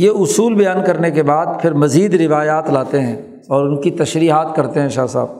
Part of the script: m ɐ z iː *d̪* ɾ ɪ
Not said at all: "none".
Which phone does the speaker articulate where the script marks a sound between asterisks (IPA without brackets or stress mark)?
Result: d̪